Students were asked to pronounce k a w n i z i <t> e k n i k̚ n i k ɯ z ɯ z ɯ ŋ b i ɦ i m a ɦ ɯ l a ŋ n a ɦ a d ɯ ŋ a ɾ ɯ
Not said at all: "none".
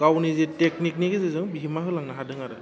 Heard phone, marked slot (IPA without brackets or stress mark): t